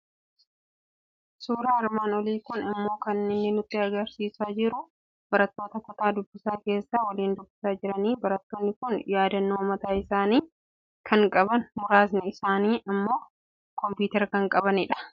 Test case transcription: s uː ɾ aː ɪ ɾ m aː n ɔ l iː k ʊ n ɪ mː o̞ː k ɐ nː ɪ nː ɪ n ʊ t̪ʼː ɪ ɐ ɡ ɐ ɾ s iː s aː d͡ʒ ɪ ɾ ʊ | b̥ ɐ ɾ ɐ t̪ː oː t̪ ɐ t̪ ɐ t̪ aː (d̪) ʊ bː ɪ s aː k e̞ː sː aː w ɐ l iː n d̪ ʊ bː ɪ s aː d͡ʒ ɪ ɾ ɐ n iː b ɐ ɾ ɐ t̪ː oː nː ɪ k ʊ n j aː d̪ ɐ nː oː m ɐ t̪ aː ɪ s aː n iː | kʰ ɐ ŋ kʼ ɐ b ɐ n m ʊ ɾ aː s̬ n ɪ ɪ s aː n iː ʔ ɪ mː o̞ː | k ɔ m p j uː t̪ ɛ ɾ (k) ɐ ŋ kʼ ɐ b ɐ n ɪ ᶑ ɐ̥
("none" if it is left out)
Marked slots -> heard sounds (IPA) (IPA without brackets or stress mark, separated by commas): d̪, k